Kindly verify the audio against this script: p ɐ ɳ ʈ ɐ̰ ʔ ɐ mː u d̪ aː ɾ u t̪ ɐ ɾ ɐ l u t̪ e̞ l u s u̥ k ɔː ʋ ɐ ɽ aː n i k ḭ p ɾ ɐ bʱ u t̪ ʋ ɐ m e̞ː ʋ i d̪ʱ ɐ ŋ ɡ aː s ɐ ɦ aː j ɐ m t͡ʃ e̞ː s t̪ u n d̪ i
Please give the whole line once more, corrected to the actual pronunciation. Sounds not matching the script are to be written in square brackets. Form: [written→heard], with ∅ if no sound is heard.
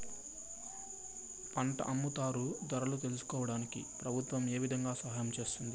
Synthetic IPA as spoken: p ɐ ɳ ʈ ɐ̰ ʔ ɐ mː u [d̪→t̪] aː ɾ u [t̪→d̪] ɐ ɾ ɐ l u t̪ e̞ l u s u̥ k ɔː ʋ ɐ ɽ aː n i k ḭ p ɾ ɐ bʱ u t̪ ʋ ɐ m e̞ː ʋ i d̪ʱ ɐ ŋ ɡ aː s ɐ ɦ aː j ɐ m t͡ʃ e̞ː s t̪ u n d̪ i